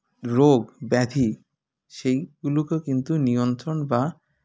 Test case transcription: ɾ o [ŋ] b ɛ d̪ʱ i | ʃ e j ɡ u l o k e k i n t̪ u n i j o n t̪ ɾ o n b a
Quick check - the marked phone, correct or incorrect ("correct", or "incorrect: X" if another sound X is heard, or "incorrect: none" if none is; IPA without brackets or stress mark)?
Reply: incorrect: ɡ